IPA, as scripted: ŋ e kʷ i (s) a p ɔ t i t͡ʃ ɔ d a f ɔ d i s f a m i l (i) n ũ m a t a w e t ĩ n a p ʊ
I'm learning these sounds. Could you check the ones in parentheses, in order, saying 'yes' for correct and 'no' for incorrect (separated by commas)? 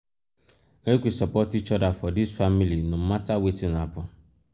yes, yes